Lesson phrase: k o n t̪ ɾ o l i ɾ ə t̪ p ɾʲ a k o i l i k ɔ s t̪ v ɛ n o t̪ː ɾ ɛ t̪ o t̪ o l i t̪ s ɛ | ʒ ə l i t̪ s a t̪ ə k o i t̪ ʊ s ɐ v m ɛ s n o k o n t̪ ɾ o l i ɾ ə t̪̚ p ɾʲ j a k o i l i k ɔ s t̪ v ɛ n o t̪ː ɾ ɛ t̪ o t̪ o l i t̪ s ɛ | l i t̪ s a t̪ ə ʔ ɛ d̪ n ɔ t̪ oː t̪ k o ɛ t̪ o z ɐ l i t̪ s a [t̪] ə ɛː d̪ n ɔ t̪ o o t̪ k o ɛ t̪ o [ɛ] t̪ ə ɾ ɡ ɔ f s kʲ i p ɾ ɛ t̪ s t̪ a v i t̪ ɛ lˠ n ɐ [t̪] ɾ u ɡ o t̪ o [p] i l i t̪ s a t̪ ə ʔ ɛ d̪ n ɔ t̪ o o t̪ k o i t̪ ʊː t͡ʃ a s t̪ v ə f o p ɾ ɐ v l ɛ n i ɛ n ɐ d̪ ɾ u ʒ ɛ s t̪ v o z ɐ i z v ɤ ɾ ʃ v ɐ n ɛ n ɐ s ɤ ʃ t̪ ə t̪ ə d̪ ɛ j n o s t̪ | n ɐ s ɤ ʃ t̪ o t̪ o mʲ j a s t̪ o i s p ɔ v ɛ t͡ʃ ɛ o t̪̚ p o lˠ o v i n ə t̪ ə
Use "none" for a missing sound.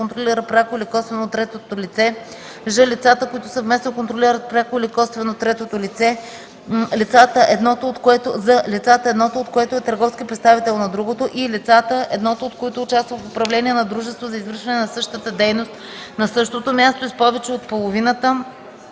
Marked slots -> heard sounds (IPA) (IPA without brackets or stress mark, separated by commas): t̪, ɛ, d̪, ʔ